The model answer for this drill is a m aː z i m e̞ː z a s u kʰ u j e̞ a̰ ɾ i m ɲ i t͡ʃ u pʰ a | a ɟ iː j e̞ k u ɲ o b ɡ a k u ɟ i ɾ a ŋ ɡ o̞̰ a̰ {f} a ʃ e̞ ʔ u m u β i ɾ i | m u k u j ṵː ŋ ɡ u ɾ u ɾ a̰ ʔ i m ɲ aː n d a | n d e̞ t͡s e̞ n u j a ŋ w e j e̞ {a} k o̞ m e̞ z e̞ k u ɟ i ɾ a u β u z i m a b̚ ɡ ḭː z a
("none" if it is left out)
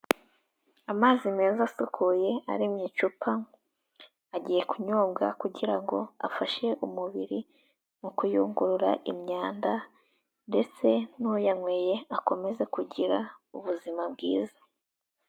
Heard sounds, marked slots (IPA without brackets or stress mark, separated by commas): f, a